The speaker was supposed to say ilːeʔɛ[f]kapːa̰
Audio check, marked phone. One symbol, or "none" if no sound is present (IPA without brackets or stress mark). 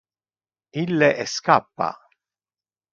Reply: s